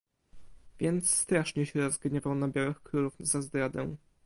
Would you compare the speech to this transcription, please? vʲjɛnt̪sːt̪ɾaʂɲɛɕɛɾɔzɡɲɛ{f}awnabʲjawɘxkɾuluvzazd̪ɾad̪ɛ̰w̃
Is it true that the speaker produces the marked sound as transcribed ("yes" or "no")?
no